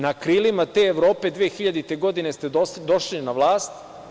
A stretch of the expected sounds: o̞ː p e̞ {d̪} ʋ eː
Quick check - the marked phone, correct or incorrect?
correct